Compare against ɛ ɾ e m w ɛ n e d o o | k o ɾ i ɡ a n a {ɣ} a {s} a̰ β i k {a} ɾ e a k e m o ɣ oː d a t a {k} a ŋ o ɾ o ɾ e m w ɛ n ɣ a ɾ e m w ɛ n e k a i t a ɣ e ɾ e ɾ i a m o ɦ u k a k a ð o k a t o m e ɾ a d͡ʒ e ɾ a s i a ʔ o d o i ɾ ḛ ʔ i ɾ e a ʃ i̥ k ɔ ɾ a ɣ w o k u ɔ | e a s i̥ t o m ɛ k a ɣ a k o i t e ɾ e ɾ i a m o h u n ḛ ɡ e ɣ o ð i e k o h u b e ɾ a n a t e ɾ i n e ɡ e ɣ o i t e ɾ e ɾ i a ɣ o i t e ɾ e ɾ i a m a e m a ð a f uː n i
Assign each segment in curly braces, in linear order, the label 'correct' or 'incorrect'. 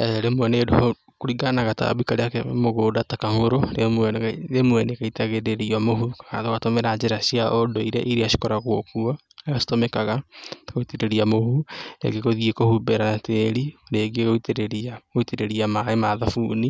correct, incorrect: t, correct, correct

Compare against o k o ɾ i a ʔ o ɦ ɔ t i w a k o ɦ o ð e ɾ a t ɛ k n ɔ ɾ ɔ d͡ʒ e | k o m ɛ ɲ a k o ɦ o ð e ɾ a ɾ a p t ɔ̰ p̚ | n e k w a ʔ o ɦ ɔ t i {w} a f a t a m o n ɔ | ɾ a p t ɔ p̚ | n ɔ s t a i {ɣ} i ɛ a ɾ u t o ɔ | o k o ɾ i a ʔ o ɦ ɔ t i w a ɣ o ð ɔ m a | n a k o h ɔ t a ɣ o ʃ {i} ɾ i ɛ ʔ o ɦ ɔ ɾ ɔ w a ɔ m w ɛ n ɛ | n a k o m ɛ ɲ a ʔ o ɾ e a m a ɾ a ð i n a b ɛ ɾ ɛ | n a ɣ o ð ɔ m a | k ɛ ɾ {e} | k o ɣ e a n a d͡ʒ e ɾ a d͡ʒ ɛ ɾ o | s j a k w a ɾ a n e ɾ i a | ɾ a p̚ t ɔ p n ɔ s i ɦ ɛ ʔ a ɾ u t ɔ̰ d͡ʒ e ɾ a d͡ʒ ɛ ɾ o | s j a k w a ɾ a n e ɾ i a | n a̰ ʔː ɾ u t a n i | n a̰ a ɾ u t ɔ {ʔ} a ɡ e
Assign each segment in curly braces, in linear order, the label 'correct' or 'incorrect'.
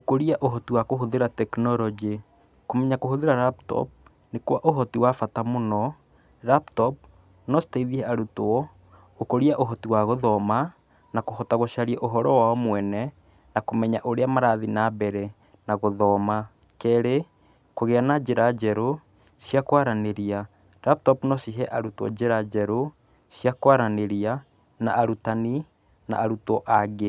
correct, incorrect: ð, incorrect: a, correct, correct

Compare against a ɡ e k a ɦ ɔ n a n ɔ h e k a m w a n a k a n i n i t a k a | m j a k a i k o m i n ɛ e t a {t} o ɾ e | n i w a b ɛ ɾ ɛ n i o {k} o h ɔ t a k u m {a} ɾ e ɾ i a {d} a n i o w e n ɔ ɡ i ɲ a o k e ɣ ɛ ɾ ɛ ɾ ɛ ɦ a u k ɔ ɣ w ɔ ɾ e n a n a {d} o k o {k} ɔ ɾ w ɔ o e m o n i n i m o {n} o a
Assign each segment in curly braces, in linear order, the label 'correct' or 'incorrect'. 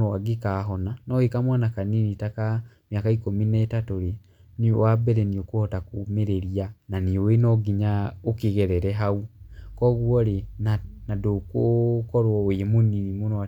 correct, correct, incorrect: e, incorrect: n, correct, correct, correct

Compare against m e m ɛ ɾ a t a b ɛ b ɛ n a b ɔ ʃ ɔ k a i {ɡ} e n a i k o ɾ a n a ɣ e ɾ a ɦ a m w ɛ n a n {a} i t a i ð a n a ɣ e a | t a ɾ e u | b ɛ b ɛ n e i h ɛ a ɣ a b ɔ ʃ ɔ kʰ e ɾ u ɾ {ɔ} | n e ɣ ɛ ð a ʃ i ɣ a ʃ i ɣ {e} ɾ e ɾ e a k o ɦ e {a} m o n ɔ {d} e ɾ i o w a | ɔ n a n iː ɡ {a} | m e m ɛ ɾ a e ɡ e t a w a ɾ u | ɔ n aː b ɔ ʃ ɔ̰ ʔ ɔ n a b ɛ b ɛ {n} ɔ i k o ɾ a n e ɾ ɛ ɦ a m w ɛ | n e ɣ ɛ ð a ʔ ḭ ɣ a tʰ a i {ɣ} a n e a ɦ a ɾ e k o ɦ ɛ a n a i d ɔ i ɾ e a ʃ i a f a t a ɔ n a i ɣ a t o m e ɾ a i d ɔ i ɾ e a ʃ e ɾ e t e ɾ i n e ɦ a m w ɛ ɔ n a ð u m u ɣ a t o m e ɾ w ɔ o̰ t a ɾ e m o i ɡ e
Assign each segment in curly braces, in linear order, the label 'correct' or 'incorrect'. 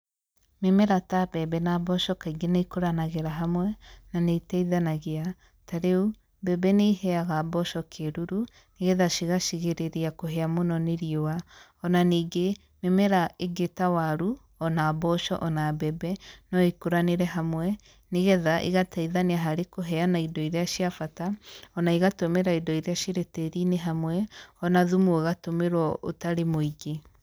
correct, incorrect: e, incorrect: u, correct, correct, incorrect: n, incorrect: e, correct, incorrect: ð

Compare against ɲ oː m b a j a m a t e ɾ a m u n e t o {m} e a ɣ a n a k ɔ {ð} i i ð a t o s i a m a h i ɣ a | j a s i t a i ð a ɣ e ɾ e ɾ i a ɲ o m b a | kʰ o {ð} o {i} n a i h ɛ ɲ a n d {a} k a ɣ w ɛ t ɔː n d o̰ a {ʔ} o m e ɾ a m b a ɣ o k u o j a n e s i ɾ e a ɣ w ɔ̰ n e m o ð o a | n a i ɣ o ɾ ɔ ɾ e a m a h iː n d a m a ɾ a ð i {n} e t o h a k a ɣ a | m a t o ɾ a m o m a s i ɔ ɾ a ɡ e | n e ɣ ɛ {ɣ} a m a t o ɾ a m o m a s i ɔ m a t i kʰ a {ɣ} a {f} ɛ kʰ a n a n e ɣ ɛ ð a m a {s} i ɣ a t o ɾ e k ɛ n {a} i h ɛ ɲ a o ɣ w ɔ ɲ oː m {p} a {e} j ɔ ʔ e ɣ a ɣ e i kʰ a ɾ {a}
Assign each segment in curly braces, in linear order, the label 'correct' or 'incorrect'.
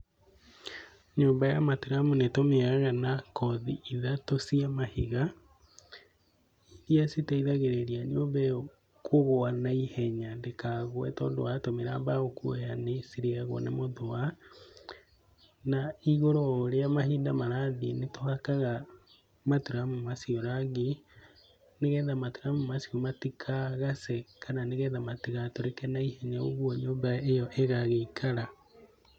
correct, correct, incorrect: ɣ, incorrect: a, incorrect: e, incorrect: t, correct, incorrect: ð, correct, incorrect: s, incorrect: t, correct, incorrect: b, correct, correct

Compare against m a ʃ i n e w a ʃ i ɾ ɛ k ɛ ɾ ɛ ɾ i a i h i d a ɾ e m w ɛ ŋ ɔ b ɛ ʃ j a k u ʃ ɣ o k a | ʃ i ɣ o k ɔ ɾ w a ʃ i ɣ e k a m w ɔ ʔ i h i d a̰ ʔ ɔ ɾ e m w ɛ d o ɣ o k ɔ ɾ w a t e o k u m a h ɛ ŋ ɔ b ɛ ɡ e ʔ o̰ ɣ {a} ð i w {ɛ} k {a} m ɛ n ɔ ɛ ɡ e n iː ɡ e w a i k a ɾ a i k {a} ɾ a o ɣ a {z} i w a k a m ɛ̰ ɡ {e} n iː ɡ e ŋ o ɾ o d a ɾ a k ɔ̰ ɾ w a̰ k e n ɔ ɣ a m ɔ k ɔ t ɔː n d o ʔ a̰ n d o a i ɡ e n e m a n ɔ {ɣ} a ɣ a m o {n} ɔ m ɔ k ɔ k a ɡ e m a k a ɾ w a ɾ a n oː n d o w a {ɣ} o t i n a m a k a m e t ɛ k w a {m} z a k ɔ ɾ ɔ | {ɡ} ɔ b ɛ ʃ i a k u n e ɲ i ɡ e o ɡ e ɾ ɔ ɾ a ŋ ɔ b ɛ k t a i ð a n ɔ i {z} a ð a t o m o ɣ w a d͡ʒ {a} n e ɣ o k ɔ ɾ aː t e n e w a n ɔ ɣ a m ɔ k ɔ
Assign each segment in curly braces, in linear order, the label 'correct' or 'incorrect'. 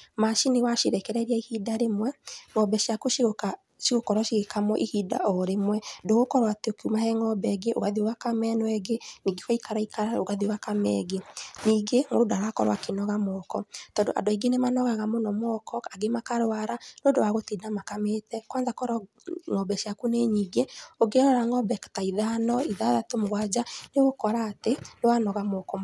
correct, incorrect: a, correct, correct, incorrect: ð, correct, correct, correct, correct, incorrect: n, incorrect: ŋ, incorrect: ð, correct

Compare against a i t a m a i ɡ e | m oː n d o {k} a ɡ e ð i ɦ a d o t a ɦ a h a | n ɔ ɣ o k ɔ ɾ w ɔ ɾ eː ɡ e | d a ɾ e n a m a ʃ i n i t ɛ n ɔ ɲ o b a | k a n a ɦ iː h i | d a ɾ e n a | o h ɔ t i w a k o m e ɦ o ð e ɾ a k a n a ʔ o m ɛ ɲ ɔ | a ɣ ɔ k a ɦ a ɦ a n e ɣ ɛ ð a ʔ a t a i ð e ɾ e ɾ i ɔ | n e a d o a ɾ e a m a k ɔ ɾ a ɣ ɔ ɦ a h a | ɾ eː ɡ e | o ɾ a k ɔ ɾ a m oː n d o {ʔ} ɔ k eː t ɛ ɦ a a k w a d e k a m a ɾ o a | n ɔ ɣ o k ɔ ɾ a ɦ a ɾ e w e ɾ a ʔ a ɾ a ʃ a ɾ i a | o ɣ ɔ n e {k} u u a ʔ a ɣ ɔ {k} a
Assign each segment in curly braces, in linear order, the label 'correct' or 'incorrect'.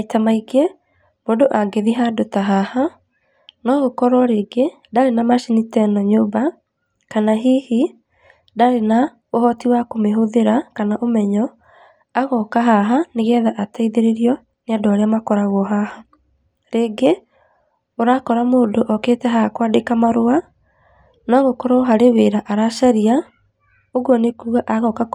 incorrect: ʔ, correct, correct, correct

